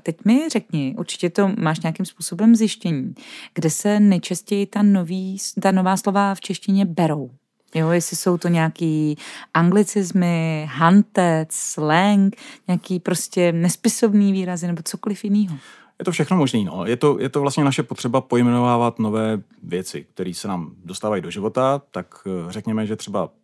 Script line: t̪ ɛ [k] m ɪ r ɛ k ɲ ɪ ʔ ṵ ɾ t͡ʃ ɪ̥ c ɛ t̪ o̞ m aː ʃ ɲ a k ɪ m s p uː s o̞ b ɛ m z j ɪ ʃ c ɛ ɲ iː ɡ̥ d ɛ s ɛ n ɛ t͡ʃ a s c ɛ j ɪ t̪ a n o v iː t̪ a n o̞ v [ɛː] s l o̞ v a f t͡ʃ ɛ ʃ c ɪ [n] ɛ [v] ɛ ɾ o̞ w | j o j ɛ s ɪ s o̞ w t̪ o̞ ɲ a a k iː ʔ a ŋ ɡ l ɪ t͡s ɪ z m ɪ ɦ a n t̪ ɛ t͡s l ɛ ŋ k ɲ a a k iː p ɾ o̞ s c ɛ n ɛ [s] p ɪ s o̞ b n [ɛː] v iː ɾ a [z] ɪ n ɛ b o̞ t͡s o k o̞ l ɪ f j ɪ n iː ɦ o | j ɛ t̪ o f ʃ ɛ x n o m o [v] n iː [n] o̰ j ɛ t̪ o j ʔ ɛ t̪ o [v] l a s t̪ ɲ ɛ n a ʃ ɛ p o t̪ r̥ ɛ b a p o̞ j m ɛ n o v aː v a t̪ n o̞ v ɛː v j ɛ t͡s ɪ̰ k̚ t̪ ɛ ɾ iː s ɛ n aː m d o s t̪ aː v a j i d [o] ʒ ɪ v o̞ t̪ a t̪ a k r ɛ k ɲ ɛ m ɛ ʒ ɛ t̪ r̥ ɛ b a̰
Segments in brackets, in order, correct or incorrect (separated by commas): incorrect, incorrect, incorrect, incorrect, correct, incorrect, correct, incorrect, correct, correct, correct